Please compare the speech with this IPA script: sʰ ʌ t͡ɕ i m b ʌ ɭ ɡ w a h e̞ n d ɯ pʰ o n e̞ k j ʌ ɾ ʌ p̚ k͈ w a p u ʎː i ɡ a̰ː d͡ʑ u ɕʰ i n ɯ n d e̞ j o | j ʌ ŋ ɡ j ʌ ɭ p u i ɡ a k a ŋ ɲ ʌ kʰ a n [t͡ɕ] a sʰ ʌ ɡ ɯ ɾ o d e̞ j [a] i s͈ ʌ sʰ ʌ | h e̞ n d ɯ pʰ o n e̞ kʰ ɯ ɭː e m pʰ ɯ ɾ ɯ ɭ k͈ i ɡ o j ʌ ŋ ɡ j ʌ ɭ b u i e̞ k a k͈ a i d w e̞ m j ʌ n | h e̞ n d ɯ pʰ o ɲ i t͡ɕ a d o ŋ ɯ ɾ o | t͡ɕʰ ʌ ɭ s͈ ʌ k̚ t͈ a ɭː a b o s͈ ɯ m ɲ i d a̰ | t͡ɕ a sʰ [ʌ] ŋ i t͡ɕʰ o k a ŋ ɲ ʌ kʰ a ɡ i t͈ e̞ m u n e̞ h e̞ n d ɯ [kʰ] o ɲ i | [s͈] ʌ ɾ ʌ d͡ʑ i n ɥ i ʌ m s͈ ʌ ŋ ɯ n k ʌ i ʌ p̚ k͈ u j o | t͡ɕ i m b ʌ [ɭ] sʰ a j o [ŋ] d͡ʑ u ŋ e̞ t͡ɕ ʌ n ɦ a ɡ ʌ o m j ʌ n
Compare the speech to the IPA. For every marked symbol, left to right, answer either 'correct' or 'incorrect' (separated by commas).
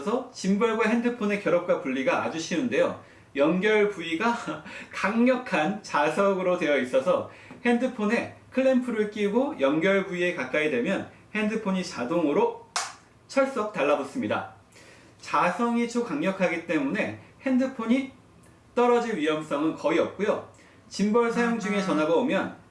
correct, incorrect, correct, incorrect, incorrect, correct, correct